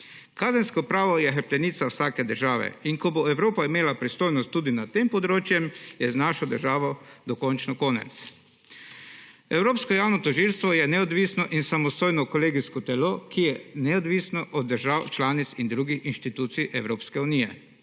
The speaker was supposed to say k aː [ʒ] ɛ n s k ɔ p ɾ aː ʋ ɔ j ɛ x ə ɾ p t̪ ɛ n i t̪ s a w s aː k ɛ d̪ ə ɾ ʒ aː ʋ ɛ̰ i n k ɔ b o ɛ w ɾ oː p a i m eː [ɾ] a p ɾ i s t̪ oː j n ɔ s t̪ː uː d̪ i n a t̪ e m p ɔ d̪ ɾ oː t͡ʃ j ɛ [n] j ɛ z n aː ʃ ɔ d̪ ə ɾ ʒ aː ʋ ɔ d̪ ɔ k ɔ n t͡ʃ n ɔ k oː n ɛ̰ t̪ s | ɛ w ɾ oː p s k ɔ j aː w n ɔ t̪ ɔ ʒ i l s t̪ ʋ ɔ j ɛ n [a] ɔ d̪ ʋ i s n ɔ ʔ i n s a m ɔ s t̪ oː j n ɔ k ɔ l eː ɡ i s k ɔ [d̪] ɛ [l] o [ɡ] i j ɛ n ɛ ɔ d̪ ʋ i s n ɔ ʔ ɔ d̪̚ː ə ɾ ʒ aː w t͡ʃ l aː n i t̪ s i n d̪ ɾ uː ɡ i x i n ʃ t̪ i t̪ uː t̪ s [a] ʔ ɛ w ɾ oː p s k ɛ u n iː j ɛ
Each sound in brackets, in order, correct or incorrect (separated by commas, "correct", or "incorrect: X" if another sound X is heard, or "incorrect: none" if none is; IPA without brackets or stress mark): incorrect: z, incorrect: l, incorrect: m, incorrect: ɛ, incorrect: t̪, correct, incorrect: k, incorrect: i